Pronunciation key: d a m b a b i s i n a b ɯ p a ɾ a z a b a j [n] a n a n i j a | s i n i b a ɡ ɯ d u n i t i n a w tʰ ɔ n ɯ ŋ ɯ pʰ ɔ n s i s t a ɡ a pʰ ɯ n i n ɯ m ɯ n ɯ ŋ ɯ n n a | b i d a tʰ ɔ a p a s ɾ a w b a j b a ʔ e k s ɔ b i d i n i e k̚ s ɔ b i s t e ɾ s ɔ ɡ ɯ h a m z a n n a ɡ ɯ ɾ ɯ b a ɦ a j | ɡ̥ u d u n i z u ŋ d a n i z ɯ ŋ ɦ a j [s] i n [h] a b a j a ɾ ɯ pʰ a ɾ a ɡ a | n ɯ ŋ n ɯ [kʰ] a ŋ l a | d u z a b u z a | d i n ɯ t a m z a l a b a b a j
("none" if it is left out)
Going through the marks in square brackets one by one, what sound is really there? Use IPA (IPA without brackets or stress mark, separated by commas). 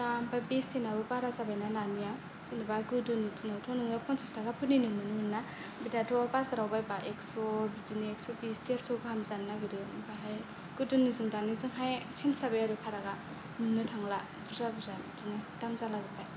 n, s, s, tʰ